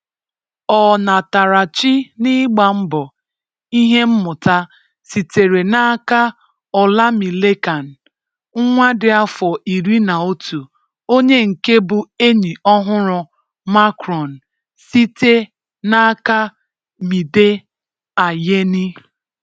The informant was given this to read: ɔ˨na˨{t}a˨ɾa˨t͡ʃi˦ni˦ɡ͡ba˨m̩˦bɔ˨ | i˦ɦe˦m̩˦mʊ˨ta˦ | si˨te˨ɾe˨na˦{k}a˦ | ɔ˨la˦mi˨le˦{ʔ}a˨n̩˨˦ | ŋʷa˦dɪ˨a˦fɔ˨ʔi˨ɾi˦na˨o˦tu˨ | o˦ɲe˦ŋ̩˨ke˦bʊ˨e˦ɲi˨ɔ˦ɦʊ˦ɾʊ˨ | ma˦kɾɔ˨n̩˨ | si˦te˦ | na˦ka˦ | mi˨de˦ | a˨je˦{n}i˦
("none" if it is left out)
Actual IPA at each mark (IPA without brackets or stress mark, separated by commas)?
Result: t, k, k, n